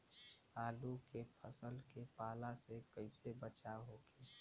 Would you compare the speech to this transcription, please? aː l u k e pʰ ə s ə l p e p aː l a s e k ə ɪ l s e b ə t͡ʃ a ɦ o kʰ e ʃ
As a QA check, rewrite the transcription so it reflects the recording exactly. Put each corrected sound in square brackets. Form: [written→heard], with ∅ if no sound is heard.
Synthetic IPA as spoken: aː l u k e pʰ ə s ə l [p→k] e p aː l a s e k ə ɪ [l→∅] s e b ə t͡ʃ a ɦ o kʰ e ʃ